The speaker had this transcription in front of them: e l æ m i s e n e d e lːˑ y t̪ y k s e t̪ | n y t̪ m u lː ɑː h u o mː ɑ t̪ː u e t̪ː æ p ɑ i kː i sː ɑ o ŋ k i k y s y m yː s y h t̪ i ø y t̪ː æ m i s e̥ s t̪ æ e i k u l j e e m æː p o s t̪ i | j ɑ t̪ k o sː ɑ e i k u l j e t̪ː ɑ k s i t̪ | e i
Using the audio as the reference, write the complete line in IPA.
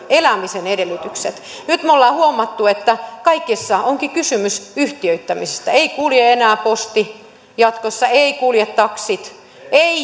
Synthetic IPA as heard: e l æ m i s e n e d e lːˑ y t̪ y k s e t̪ | n y t̪ m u lː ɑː h u o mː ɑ t̪ː u e t̪ː æ k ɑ i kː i sː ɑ o ŋ k i k y s y m y s y h t̪ i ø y t̪ː æ m i s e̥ s t̪ æ e i k u l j e e n æː p o s t̪ i | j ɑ t̪ k o sː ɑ e i k u l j e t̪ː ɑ k s i t̪ | e i